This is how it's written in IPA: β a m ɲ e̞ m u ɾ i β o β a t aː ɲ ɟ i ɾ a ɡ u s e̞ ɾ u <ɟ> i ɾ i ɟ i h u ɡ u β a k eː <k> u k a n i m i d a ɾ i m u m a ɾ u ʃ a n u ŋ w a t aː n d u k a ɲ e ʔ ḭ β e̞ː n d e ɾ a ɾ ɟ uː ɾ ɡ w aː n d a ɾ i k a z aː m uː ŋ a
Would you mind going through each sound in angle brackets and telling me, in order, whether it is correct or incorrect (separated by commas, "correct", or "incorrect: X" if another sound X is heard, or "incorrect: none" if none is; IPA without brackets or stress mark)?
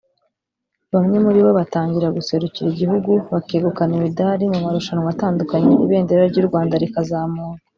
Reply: incorrect: c, incorrect: ɡ